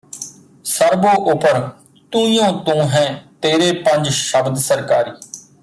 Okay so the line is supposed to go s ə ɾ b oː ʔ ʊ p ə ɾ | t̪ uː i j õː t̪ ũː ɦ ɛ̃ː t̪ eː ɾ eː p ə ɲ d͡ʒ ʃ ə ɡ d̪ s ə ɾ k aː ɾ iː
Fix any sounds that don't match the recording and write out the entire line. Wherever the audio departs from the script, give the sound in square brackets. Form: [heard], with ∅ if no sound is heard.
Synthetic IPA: s ə ɾ b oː ʔ ʊ p ə ɾ | t̪ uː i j õː t̪ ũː ɦ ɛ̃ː t̪ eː ɾ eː p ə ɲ d͡ʒ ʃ ə [b] d̪ s ə ɾ k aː ɾ iː